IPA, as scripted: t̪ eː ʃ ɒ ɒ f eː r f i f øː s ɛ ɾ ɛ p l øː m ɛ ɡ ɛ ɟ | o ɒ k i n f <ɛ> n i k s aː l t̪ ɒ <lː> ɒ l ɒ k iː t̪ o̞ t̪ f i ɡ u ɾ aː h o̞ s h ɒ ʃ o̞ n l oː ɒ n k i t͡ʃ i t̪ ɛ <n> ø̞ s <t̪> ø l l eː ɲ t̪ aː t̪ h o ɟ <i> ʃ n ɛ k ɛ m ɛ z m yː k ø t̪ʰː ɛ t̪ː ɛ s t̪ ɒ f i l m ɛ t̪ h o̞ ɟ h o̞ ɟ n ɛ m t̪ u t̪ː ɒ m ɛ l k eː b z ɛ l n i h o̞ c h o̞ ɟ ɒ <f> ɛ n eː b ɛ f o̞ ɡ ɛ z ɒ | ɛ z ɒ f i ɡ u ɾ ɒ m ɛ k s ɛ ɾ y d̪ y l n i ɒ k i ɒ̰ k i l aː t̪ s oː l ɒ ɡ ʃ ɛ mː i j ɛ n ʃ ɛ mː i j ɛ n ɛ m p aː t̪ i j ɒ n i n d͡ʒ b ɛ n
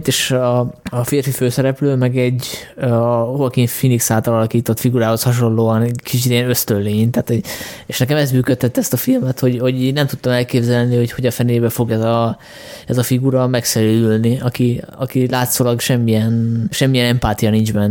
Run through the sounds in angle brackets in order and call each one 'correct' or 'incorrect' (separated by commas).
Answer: incorrect, incorrect, correct, correct, incorrect, correct